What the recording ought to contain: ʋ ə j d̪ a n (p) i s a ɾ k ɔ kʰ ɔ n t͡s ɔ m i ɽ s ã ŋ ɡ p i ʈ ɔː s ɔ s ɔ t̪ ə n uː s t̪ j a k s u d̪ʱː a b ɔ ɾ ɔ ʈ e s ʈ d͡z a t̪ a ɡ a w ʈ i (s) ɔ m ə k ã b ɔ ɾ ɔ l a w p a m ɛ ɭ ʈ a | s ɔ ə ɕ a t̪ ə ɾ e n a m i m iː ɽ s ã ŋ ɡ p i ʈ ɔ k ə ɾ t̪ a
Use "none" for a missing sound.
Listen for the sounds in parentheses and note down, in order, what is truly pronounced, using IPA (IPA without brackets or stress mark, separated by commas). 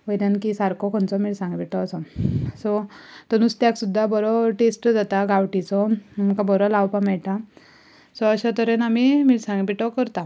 k, t͡s